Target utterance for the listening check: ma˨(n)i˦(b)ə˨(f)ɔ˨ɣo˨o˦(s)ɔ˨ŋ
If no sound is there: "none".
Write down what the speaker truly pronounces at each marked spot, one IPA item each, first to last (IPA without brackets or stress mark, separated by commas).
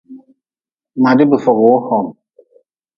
d, b, f, h